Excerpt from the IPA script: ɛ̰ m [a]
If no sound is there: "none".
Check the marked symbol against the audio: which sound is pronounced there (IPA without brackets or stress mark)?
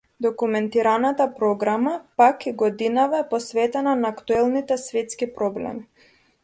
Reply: i